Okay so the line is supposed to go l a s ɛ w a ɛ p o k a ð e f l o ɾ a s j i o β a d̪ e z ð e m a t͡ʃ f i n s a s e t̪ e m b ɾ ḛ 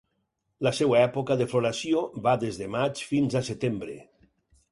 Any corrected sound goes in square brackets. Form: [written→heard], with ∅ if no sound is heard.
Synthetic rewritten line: l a s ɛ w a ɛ p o k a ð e f l o ɾ a s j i o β a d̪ e z ð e m a t͡ʃ f i n [s→z] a s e t̪ e m b ɾ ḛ